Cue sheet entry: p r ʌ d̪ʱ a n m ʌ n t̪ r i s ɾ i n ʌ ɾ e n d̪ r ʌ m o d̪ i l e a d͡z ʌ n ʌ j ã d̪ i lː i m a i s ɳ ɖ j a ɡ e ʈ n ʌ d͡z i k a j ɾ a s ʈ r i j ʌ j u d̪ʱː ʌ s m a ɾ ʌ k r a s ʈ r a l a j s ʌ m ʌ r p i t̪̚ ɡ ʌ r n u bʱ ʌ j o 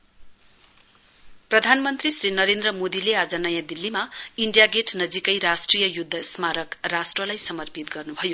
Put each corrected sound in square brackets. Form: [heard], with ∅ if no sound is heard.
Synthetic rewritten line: p r ʌ d̪ʱ a n m ʌ n t̪ r i s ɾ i n ʌ ɾ e n d̪ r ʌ m o d̪ i l e a d͡z ʌ n ʌ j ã d̪ i lː i m a i [∅] ɳ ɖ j a ɡ e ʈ n ʌ d͡z i k [ʌ] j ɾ a s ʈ r i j ʌ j u d̪ʱː ʌ s m a ɾ ʌ k r a s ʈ r [ʌ] l a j s ʌ m ʌ r p i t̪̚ ɡ ʌ r n u bʱ ʌ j o